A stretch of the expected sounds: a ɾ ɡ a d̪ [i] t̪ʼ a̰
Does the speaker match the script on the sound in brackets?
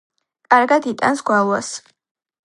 yes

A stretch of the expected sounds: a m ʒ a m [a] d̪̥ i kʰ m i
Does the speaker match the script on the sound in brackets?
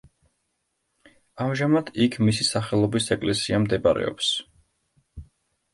yes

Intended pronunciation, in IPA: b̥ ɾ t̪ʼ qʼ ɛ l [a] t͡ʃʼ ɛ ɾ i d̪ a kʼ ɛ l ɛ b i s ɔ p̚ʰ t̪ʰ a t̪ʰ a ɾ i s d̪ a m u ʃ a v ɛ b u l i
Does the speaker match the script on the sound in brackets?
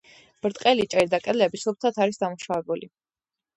no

